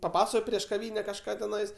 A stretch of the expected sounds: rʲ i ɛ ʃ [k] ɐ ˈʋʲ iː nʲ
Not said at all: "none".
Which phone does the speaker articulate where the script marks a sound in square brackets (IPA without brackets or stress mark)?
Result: k